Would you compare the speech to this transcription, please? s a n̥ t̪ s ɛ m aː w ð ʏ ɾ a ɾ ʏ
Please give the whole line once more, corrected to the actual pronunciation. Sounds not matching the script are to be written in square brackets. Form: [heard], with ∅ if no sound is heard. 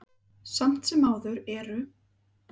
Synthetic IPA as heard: s a [m̥] t̪ s ɛ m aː w ð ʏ ɾ [ɛ] ɾ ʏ